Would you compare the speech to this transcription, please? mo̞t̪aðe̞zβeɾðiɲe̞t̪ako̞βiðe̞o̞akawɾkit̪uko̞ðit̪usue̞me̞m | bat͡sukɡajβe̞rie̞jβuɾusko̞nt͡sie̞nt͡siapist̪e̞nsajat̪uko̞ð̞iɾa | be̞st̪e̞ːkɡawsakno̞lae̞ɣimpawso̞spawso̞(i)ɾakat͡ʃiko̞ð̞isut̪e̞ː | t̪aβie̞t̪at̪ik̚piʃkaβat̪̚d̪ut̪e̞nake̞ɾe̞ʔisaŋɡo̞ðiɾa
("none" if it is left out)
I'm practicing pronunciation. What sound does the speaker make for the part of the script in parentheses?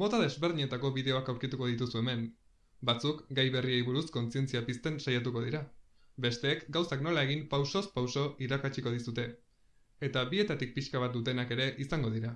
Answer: i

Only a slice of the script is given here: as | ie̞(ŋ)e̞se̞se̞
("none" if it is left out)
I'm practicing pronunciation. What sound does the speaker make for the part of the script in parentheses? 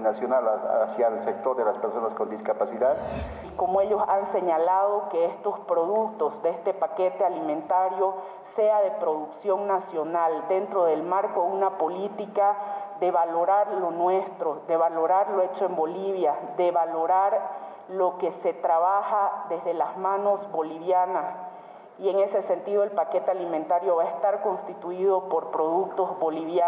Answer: ŋ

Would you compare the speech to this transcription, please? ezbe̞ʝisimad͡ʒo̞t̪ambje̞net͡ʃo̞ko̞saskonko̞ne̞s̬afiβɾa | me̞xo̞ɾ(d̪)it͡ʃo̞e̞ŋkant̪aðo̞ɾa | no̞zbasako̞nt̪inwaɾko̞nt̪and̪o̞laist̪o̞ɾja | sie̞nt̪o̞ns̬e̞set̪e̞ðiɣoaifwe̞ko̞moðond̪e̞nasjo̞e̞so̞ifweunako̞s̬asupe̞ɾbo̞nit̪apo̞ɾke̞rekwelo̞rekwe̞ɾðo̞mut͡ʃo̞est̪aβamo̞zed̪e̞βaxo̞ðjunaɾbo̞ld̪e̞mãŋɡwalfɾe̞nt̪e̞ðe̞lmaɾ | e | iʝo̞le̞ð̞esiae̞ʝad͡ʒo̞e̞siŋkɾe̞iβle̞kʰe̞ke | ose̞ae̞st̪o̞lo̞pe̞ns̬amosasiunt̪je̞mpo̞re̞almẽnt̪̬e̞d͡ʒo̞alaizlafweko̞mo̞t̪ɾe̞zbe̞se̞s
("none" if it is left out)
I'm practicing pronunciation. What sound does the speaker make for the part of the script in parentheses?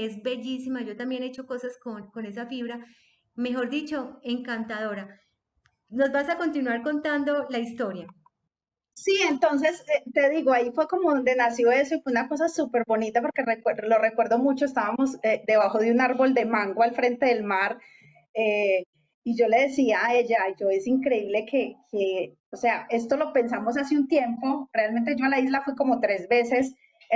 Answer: d̪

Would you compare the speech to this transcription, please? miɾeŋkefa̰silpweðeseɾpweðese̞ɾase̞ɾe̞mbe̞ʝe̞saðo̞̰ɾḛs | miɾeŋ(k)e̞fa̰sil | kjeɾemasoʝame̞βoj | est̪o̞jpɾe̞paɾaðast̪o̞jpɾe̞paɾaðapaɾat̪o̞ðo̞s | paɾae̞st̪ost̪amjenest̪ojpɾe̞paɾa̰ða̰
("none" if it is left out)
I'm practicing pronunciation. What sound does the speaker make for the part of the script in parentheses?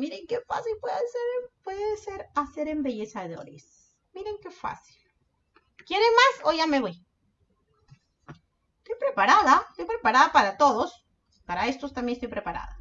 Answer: k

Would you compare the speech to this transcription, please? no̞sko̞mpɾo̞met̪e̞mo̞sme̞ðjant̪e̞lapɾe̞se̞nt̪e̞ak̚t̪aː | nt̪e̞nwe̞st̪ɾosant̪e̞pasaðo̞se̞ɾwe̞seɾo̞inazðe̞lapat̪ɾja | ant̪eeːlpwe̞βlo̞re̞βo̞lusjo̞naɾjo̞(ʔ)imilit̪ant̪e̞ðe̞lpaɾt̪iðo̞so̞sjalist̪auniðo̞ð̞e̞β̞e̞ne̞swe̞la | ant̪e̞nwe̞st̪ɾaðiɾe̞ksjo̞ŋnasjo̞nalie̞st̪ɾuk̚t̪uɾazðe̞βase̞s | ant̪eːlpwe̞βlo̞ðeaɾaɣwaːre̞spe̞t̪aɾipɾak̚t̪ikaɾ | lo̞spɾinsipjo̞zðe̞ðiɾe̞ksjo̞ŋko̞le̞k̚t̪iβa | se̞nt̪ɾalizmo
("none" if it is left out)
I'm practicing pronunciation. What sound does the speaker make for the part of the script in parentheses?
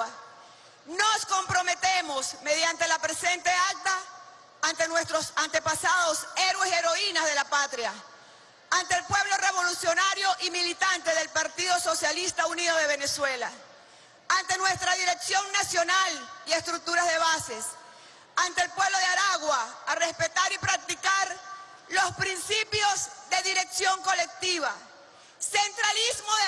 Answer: ʔ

